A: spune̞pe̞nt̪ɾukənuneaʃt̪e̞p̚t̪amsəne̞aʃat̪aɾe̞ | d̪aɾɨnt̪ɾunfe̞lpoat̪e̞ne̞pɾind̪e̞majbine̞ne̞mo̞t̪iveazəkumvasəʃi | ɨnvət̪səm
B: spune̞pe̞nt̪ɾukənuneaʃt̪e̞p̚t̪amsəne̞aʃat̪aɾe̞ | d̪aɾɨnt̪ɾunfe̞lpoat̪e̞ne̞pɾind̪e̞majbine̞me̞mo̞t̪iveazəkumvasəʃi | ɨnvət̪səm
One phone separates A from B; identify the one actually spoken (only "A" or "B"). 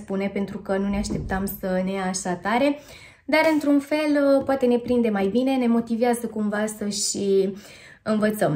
A